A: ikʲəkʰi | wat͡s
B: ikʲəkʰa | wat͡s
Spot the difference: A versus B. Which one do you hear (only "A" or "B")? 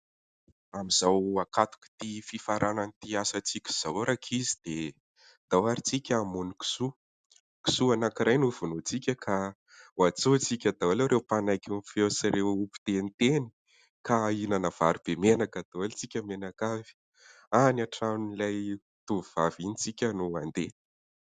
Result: B